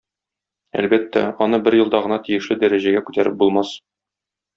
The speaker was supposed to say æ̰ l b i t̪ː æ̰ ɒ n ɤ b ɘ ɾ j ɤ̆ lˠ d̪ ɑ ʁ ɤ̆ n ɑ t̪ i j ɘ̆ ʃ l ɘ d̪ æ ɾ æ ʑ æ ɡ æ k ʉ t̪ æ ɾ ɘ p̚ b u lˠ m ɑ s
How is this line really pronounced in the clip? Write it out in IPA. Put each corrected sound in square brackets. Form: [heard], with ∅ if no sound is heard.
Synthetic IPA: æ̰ l b [æ] t̪ː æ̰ ɒ n ɤ b ɘ ɾ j ɤ̆ lˠ d̪ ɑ ʁ ɤ̆ n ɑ t̪ i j ɘ̆ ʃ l ɘ d̪ æ ɾ æ ʑ æ ɡ æ k ʉ t̪ æ ɾ ɘ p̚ b u lˠ m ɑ s